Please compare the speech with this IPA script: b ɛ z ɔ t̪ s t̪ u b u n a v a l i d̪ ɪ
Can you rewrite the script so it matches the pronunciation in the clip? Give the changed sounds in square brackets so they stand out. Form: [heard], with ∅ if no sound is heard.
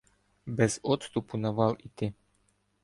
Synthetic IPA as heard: b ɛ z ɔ t̪ s t̪ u [p] u n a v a l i [t̪] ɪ